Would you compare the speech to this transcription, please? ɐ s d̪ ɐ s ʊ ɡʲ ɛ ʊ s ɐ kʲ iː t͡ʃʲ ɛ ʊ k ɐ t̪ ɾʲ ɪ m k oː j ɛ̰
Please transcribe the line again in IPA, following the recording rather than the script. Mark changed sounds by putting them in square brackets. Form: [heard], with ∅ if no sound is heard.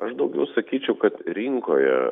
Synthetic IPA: ɐ [ʃ] d̪ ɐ [∅] ʊ ɡʲ ɛ ʊ s ɐ kʲ iː t͡ʃʲ ɛ ʊ k ɐ t̪ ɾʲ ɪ [ŋ] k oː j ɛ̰